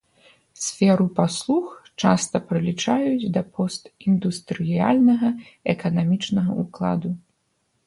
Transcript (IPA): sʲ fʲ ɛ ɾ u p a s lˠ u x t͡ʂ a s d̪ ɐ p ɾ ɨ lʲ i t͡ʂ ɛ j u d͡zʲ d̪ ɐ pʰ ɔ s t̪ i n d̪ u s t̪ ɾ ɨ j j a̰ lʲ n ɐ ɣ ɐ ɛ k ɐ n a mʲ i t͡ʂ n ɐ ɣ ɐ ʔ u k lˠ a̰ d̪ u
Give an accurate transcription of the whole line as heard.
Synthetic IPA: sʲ fʲ ɛ ɾ u p a s lˠ u x t͡ʂ a s t̪ ɐ p ɾ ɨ lʲ i t͡ʂ a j u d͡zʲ d̪ ɐ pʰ ɔ s t̪ i n d̪ u s t̪ ɾ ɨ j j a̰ lʲ n ɐ ɣ ɐ ɛ k ɐ n a mʲ i t͡ʂ n ɐ ɣ ɐ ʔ u k lˠ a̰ d̪ u